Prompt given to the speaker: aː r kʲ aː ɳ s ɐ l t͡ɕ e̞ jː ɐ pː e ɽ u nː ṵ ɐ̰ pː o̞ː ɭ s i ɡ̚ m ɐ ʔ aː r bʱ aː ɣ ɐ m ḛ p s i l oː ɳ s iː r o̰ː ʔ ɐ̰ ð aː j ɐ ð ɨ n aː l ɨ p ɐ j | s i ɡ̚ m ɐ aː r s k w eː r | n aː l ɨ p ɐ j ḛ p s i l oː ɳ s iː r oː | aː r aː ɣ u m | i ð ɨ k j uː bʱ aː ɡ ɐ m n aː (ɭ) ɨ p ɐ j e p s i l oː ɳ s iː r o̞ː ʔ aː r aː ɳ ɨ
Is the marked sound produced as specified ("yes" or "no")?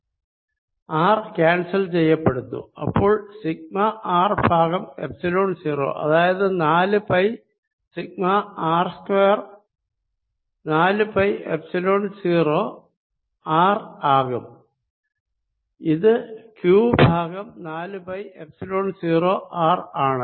no